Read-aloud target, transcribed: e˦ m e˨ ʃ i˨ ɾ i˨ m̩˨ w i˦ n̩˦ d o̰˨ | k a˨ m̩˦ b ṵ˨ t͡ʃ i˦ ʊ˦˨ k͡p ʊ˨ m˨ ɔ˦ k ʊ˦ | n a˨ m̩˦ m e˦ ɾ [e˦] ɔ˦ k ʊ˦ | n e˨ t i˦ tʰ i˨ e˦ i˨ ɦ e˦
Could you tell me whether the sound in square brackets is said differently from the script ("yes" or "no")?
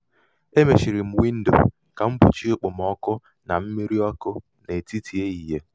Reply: yes